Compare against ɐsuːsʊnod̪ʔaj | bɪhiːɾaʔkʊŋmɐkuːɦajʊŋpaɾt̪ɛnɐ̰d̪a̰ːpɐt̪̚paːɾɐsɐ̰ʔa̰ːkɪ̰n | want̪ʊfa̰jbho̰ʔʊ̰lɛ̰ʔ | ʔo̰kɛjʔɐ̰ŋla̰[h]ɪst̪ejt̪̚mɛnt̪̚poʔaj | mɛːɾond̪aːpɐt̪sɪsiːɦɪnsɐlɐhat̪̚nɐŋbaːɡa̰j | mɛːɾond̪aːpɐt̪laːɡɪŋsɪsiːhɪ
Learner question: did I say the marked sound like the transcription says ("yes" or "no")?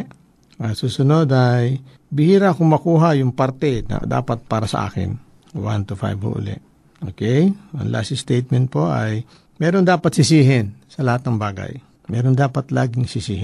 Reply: no